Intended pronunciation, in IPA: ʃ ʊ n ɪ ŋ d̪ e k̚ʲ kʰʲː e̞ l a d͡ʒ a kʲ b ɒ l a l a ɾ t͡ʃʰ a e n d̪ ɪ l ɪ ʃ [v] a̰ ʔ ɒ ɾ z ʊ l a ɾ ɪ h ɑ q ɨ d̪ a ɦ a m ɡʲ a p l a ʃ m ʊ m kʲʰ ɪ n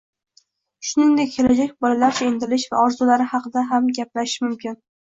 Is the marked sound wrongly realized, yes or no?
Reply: no